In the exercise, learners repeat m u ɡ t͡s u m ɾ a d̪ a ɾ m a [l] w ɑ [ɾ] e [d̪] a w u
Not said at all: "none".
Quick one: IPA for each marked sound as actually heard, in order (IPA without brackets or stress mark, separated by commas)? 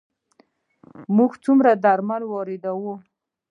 l, ɾ, d̪